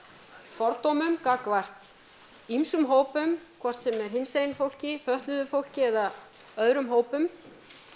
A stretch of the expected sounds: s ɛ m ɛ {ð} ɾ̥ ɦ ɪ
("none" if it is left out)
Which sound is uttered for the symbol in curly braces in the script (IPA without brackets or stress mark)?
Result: none